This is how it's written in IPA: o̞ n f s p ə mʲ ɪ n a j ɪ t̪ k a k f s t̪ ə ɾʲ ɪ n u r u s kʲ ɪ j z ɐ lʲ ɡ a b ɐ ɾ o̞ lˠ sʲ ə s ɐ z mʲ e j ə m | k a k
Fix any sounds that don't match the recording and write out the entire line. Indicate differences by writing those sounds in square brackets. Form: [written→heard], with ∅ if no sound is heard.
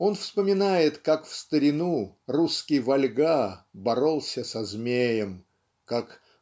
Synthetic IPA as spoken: o̞ n f s p ə mʲ ɪ n a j ɪ t̪ k a k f s t̪ ə ɾʲ ɪ n u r u s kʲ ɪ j [z→v] ɐ lʲ ɡ a b ɐ ɾ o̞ lˠ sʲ ə s ɐ z mʲ e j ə m | k a k